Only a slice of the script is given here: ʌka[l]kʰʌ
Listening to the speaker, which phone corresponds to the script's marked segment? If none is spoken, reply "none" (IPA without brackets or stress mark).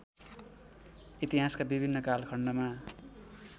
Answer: l